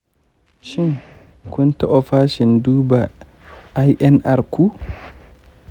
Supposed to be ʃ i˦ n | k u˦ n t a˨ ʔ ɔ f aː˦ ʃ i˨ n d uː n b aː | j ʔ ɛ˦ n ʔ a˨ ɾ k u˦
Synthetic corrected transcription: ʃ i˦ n | k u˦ n t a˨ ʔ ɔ f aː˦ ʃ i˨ n d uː b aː | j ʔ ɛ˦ n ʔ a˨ ɾ k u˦